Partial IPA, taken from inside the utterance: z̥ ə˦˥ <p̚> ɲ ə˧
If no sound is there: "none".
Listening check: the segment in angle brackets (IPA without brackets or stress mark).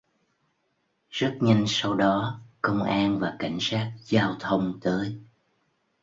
t̚